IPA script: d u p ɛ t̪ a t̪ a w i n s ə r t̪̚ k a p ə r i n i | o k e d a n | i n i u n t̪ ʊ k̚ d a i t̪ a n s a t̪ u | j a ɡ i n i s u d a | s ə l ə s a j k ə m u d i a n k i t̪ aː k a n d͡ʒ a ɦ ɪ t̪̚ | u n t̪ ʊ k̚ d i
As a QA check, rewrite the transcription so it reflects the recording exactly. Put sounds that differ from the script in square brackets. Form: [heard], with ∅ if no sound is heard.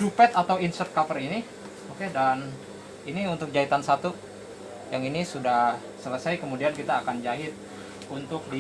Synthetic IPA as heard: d u p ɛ t̪ a t̪ a w i n s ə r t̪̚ k a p ə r i n i | o k e d a n | i n i u n t̪ ʊ k̚ [d͡ʒ] a i t̪ a n s a t̪ u | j a [ŋ] i n i s u d a | s ə l ə s a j k ə m u d i a n k i t̪ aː k a n d͡ʒ a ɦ ɪ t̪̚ | u n t̪ ʊ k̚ d i